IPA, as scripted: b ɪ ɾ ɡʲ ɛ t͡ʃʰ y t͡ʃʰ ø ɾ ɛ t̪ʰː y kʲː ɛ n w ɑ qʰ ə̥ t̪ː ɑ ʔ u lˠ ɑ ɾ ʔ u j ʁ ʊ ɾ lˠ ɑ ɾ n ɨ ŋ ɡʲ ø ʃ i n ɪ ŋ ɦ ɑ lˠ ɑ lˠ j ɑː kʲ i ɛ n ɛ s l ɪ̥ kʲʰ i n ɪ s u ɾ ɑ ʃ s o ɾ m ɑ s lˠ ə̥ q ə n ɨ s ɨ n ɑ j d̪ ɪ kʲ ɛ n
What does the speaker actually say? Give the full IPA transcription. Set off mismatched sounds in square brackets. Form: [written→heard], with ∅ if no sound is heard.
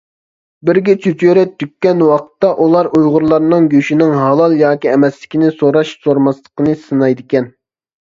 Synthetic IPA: b ɪ ɾ ɡʲ ɛ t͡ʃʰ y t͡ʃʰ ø ɾ ɛ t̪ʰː y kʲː ɛ n w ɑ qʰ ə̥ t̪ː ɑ ʔ u lˠ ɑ ɾ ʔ u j ʁ ʊ ɾ lˠ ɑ ɾ n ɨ ŋ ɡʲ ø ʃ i n ɪ ŋ ɦ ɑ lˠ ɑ lˠ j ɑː kʲ i ɛ [n→m] ɛ s l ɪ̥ [kʲʰ→kʲ] i n ɪ s [u→o] ɾ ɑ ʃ s o ɾ m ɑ s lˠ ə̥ q ə n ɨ s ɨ n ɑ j d̪ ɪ kʲ ɛ n